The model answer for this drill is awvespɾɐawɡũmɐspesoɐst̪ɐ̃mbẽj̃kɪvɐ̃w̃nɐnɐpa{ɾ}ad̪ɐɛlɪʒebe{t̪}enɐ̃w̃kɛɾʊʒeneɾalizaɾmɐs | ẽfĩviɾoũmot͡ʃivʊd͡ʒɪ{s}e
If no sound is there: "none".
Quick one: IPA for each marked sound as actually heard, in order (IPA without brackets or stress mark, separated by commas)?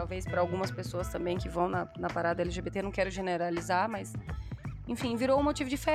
ɾ, t̪, f